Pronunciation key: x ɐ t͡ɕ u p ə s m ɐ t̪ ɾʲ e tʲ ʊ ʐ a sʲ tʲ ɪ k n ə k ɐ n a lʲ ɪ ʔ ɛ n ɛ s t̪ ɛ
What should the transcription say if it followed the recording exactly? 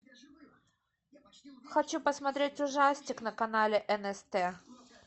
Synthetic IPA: x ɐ t͡ɕ u p ə s m ɐ t̪ ɾʲ e tʲ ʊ ʐ a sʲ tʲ ɪ k n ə k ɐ n a lʲ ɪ ʔ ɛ n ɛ s t̪ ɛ

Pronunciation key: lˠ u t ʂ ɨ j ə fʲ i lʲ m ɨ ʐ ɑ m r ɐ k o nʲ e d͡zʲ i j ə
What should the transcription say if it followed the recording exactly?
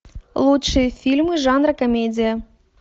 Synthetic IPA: lˠ u t ʂ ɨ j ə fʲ i lʲ m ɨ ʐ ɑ n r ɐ k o mʲ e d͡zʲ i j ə

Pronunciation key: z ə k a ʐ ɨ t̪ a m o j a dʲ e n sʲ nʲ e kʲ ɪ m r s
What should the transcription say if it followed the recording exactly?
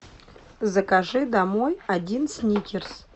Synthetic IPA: z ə k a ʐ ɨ d̪ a m o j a dʲ i n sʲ nʲ i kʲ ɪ r s

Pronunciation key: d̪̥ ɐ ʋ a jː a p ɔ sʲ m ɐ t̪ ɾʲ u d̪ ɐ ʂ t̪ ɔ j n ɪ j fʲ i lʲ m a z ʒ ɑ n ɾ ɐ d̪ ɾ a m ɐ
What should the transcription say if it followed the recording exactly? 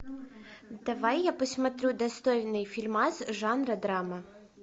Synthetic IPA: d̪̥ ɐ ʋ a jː a p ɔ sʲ m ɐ t̪ ɾʲ u d̪ ɐ s t̪ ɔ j n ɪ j fʲ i lʲ m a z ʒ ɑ n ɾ ɐ d̪ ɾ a m ɐ

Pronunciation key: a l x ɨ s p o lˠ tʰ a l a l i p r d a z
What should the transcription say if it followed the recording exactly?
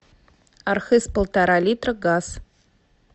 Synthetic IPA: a r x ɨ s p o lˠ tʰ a ɾ a l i t r ɡ a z

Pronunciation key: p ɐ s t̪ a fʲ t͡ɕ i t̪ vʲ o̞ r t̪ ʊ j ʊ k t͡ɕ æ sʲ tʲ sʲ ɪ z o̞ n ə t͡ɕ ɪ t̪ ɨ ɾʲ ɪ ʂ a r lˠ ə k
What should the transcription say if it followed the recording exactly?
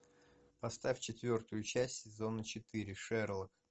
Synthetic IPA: p ɐ s t̪ a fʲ t͡ɕ ɪ t̪ vʲ o̞ r t̪ ʊ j ʊ t͡ɕ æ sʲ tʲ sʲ ɪ z o̞ n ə t͡ɕ ɪ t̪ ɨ ɾʲ ɪ ʂ ɛ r lˠ ə k

